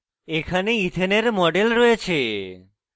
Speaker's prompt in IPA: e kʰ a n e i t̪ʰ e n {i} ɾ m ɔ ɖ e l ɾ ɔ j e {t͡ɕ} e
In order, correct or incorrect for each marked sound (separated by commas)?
incorrect, incorrect